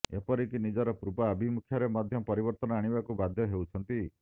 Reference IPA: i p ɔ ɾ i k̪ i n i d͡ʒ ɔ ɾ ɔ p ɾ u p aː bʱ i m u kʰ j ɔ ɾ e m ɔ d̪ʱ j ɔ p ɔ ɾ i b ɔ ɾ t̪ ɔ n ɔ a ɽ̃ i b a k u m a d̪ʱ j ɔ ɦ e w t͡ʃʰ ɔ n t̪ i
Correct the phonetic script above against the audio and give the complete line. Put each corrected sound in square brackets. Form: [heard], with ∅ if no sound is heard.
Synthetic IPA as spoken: [e] p ɔ ɾ i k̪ i n i d͡ʒ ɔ ɾ ɔ p ɾ u p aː bʱ i m u kʰ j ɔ ɾ e m ɔ d̪ʱ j ɔ p ɔ ɾ i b ɔ ɾ t̪ ɔ n ɔ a ɽ̃ i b a k u [b] a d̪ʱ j ɔ ɦ e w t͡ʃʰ ɔ n t̪ i